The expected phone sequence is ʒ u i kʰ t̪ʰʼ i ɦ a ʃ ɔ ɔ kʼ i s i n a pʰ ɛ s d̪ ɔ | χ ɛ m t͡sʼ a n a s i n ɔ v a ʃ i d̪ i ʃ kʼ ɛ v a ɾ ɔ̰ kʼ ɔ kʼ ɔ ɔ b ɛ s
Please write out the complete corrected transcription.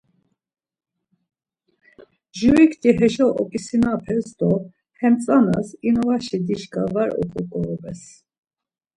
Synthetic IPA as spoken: ʒ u i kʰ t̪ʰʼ i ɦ ɛ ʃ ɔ ɔ kʼ i s i n a pʰ ɛ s d̪ ɔ | h ɛ m t͡sʼ a n a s i n ɔ v a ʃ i d̪ i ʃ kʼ a v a ɾ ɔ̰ kʼ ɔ kʼ ɔ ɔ b ɛ s